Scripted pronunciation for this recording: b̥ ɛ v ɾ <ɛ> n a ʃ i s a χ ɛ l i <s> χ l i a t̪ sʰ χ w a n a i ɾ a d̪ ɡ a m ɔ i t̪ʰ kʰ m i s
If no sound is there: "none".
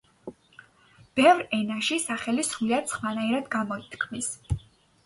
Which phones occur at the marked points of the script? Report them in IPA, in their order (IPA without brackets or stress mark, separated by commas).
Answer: ɛ, s